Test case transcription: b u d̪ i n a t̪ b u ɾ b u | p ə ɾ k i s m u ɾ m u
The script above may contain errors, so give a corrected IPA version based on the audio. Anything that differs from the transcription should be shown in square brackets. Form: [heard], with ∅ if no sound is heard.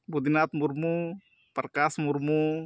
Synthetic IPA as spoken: b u d̪ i n a t̪ [m] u ɾ [m] u | p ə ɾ k [a] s m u ɾ m u

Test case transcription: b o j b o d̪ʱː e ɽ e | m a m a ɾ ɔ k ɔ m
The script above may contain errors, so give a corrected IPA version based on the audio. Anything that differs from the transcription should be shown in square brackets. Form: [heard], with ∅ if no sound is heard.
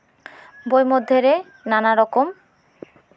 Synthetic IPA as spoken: b o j [m] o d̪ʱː e [ɾ] e | [n] a [n] a ɾ ɔ k [o] m

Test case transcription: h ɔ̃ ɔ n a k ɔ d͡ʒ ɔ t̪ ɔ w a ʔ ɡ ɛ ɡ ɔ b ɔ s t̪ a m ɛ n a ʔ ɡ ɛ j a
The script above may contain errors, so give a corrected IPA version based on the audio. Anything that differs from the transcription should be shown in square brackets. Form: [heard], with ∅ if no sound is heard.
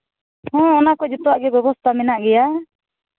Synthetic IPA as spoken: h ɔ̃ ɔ n a k ɔ d͡ʒ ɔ t̪ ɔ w a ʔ ɡ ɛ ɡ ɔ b ɔ s t̪ a m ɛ n a ʔ ɡ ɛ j a

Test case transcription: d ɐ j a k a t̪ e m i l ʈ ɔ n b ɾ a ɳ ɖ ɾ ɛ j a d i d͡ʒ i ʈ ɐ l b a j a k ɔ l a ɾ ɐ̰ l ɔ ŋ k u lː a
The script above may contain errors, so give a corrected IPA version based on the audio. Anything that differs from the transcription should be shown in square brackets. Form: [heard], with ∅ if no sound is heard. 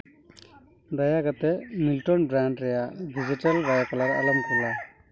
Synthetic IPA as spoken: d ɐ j a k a t̪ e m i l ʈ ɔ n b ɾ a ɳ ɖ ɾ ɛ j a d i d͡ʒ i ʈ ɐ l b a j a k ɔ l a ɾ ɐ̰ l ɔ [m] k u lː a

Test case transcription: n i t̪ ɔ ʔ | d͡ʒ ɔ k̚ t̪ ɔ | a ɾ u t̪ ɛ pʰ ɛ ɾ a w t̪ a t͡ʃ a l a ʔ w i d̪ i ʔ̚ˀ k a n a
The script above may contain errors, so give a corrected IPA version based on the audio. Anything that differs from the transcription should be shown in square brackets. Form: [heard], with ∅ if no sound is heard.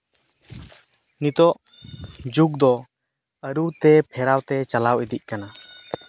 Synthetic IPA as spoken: n i t̪ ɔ ʔ | d͡ʒ [u] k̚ [d̪] ɔ | [ə] ɾ u t̪ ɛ pʰ ɛ ɾ a w t̪ [ɛ] t͡ʃ a l a [∅] w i d̪ i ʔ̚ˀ k a n a

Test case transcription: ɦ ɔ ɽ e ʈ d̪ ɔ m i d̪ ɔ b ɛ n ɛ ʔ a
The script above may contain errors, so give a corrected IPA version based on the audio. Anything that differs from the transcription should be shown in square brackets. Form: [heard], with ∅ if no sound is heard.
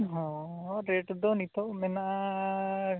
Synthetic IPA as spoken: ɦ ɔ [ɾ] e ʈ d̪ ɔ [n] i [t̪] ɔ [m] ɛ n [a] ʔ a

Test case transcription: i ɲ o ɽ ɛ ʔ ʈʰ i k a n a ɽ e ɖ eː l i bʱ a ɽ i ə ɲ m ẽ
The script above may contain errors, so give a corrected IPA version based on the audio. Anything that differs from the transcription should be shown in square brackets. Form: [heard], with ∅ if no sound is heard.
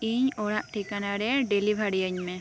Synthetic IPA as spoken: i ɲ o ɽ [a] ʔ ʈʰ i k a n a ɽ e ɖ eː l i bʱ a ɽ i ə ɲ m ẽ

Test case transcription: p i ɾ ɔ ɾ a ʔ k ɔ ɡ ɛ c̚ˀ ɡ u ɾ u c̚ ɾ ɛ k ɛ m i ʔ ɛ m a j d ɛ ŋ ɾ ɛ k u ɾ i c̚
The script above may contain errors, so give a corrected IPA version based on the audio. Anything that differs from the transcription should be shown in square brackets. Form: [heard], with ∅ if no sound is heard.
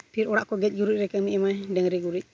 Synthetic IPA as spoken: p i ɾ ɔ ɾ a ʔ k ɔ ɡ ɛ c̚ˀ ɡ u ɾ u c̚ ɾ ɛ k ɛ m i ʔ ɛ m a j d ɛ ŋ ɾ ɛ [ɡ] u ɾ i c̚

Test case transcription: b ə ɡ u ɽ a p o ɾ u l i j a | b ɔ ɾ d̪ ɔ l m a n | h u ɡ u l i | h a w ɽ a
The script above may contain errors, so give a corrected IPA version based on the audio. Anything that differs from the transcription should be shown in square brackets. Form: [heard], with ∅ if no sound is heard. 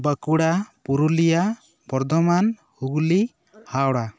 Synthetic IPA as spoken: b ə [k] u ɽ a p [u] ɾ u l i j a | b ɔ ɾ d̪ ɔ [∅] m a n | h u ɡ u l i | h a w ɽ a

